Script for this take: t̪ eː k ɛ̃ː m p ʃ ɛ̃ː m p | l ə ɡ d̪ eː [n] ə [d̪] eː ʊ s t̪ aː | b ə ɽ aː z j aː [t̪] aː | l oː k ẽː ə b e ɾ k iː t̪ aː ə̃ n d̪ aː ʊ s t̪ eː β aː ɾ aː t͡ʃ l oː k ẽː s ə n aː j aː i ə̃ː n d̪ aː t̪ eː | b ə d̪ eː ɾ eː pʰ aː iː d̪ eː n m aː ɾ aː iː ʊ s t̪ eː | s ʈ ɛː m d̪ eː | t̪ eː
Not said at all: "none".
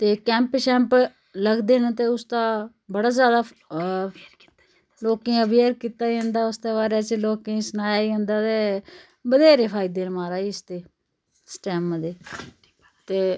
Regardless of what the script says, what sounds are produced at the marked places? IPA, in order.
n, t̪, d̪

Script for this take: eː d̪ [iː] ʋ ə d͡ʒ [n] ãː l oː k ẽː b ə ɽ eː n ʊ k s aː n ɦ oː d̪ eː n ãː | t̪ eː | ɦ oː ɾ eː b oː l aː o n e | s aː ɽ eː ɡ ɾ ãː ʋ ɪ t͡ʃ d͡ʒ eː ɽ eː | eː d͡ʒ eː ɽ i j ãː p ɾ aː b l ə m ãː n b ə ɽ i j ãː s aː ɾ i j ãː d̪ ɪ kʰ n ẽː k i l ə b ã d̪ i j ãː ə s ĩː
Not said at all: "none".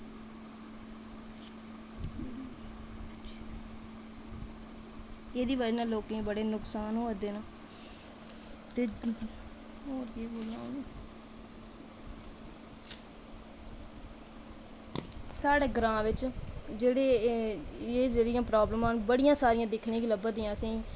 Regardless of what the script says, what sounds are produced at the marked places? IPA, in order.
iː, n

